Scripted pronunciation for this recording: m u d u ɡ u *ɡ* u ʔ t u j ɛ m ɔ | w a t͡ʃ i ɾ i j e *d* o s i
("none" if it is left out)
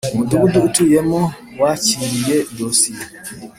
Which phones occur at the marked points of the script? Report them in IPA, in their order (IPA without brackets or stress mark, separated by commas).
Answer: d, d